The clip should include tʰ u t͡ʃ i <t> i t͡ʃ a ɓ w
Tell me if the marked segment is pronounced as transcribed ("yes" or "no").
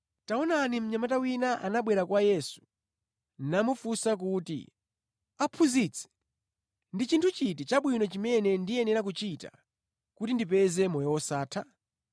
yes